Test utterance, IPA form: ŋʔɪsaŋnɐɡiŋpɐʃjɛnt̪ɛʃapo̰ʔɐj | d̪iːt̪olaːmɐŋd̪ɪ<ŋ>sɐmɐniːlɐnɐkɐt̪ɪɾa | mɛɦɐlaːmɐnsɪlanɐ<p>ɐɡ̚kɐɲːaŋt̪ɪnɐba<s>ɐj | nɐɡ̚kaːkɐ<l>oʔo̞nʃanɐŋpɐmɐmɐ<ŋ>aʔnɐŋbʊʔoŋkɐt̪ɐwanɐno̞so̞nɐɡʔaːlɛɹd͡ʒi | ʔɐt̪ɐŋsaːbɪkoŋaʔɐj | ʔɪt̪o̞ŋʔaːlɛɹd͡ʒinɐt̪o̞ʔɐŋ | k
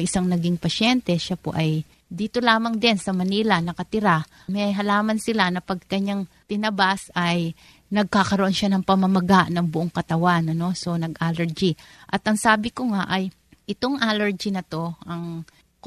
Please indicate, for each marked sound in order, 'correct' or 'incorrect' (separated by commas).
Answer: incorrect, correct, correct, incorrect, incorrect